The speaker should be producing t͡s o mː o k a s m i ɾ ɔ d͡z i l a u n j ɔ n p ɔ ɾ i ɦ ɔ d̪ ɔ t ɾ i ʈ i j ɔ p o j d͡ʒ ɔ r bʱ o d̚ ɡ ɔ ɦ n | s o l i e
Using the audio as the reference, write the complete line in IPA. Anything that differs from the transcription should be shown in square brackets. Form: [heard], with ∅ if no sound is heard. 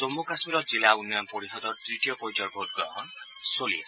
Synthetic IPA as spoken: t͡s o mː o k a s m i ɾ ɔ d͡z i l a u n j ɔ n p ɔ ɾ i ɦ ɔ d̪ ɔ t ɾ i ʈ i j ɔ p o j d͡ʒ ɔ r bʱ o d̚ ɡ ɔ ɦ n | s o l i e